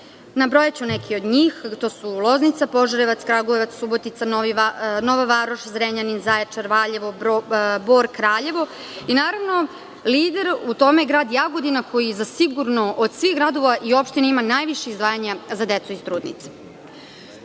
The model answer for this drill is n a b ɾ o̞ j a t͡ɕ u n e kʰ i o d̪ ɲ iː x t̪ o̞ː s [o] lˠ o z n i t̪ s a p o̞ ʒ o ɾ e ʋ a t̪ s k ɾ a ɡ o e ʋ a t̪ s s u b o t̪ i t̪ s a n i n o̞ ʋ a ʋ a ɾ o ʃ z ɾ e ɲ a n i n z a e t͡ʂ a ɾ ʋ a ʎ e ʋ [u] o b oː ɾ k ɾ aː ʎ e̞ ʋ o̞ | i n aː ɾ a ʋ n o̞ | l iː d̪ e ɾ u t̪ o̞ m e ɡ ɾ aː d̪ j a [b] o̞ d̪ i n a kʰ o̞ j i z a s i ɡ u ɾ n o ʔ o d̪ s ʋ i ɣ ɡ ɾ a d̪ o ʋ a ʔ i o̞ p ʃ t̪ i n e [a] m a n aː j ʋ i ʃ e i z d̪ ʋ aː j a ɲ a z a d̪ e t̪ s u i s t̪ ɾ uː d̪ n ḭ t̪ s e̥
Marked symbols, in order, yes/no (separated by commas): no, no, no, no